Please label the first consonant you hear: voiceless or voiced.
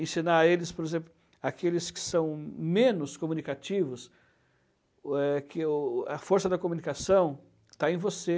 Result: voiceless